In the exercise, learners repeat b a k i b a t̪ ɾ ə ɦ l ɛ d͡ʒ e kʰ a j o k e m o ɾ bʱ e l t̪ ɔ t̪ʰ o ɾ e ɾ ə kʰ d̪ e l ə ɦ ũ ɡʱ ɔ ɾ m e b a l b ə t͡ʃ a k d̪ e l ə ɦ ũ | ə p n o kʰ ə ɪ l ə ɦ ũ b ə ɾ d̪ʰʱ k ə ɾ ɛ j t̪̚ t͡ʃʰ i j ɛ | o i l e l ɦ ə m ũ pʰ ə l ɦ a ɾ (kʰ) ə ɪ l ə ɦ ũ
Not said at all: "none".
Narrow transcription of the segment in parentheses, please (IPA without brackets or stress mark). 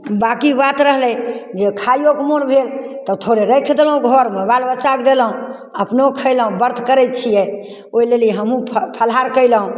k